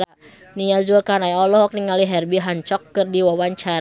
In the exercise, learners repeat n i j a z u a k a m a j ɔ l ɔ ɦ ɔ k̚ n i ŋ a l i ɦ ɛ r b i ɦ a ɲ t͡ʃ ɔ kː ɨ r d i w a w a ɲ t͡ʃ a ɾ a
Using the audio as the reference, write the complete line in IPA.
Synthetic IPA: n i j a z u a k a n a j ɔ l ɔ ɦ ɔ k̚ n i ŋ a l i ɦ ɛ r b i ɦ a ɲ t͡ʃ ɔ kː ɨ r d i w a w a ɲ t͡ʃ a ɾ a

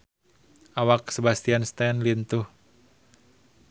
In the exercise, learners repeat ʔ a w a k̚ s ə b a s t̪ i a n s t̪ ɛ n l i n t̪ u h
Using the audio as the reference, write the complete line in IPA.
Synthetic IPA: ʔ a w a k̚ s ə b a s t̪ i a n s t̪ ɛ n l i n t̪ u h

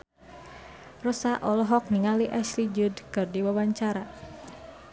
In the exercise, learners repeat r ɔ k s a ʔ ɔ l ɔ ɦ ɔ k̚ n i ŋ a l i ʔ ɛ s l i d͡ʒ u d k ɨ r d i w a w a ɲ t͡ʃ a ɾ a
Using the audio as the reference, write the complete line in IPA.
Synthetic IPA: r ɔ s a ʔ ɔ l ɔ ɦ ɔ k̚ n i ŋ a l i ʔ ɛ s l i d͡ʒ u d k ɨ r d i w a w a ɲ t͡ʃ a ɾ a

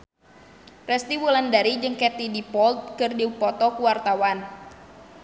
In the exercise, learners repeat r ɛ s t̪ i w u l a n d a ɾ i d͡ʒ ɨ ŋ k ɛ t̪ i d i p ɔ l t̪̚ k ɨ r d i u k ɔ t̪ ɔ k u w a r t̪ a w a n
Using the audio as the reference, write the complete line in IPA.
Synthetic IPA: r ɛ s t̪ i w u l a n d a ɾ i d͡ʒ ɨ ŋ k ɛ t̪ i d i p ɔ l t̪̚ k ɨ r d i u p ɔ t̪ ɔ k u w a r t̪ a w a n

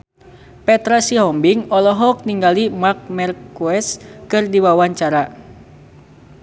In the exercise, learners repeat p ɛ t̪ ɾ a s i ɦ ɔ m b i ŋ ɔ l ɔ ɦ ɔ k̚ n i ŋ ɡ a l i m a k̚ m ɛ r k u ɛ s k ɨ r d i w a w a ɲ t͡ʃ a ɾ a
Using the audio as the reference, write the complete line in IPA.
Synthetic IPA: p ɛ t̪ ɾ a s i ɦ ɔ m b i ŋ ɔ l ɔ ɦ ɔ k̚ n i ŋ ɡ a l i m a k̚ m ɛ r k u ɛ s k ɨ r d i w a w a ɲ t͡ʃ a ɾ a

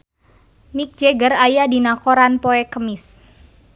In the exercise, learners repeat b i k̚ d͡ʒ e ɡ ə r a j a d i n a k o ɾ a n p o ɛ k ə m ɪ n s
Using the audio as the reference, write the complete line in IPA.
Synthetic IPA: m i k̚ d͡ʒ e ɡ ə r a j a d i n a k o ɾ a n p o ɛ k ə m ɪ s

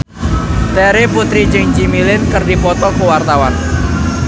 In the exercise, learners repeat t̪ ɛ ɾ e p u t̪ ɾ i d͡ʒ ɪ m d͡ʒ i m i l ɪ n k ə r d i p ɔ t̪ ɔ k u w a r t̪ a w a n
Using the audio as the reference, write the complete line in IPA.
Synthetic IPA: t̪ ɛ ɾ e p u t̪ ɾ i d͡ʒ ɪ ŋ d͡ʒ i m i l ɪ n k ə r d i p ɔ t̪ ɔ k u w a r t̪ a w a n

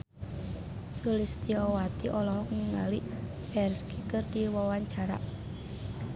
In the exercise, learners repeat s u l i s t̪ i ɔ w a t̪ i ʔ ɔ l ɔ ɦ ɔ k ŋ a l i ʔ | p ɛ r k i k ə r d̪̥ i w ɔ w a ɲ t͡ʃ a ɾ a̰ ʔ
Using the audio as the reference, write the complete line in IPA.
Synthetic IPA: s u l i s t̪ i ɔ w a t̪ i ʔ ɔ l ɔ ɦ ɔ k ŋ a l i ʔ | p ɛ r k i k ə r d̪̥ i w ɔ w a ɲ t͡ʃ a ɾ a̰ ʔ

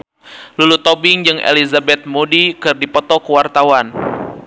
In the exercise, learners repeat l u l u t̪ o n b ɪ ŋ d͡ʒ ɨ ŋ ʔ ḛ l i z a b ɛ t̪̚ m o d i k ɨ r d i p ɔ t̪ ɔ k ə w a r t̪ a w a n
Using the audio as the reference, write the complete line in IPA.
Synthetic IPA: l u l u t̪ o b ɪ ŋ d͡ʒ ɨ ŋ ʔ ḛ l i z a b ɛ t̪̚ m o d i k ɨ r d i p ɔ t̪ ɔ k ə w a r t̪ a w a n

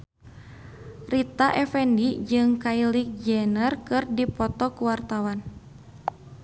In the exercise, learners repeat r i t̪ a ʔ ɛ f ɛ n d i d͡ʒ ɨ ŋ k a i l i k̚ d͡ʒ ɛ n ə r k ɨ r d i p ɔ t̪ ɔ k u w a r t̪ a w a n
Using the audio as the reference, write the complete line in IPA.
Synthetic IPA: r i t̪ a ʔ ɛ f ɛ n d i d͡ʒ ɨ ŋ k a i l i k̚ d͡ʒ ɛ n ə r k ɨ r d i p ɔ t̪ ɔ k u w a r t̪ a w a n

